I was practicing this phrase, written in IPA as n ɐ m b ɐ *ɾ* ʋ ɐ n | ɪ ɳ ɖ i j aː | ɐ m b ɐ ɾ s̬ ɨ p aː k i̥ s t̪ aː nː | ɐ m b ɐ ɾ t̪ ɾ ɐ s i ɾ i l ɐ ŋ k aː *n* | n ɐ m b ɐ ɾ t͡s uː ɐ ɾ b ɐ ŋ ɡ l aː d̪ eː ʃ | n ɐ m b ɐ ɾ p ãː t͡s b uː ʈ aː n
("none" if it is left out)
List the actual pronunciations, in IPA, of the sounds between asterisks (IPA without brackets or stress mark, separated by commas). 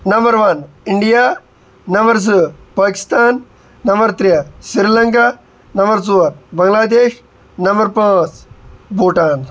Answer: ɾ, none